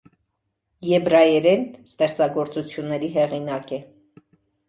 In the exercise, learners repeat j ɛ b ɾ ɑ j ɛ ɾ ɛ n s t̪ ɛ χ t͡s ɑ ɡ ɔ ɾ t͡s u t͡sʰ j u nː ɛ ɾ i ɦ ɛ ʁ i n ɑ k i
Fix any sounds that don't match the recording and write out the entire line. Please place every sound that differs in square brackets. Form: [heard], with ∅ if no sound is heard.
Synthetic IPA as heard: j ɛ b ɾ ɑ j ɛ ɾ ɛ n s t̪ ɛ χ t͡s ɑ ɡ ɔ ɾ t͡s u t͡sʰ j u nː ɛ ɾ i ɦ ɛ ʁ i n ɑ k [ɛ]